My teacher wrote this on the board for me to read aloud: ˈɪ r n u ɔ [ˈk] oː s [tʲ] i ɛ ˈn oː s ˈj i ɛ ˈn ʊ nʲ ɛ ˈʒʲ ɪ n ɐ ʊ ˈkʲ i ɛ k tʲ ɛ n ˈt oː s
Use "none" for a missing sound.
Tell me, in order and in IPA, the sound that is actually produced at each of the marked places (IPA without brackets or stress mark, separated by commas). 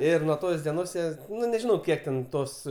t, dʲ